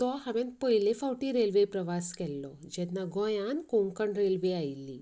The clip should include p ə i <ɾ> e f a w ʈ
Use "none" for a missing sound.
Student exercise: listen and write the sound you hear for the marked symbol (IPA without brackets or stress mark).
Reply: l